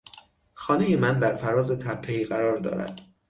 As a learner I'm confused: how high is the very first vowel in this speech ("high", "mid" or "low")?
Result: low